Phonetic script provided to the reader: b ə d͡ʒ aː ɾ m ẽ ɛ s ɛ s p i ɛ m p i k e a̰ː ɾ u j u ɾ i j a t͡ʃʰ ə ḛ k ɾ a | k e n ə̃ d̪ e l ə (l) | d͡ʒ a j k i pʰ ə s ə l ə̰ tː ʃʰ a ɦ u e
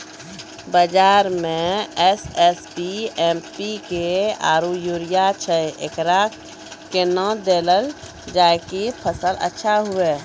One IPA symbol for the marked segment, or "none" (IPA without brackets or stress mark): l